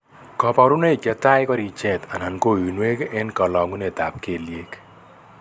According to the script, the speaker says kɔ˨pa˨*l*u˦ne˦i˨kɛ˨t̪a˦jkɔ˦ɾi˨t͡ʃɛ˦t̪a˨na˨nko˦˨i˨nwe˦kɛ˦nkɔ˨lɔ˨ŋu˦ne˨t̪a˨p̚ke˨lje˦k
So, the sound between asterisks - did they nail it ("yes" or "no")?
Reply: no